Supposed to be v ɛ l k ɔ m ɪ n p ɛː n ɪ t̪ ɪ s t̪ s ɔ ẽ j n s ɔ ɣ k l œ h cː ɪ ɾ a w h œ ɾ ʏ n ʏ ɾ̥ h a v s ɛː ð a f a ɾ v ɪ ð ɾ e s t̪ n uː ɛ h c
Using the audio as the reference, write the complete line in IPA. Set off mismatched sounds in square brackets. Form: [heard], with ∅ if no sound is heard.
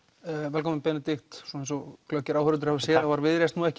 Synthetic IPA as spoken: v ɛ l k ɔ m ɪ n p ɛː n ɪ t̪ ɪ [x] t̪ s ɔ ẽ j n s ɔ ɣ k l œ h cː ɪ ɾ a w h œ ɾ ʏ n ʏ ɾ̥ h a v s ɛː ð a [v] a ɾ v ɪ ð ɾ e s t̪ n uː ɛ h c